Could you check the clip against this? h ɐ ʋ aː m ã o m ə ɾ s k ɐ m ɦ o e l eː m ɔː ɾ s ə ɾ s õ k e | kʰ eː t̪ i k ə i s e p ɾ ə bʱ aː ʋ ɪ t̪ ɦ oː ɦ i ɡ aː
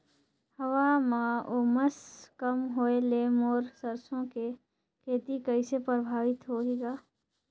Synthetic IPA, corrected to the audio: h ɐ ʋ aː m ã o m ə s k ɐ m ɦ o e l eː m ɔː ɾ s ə ɾ s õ k e | kʰ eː t̪ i k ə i s e p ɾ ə bʱ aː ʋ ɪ t̪ ɦ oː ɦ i ɡ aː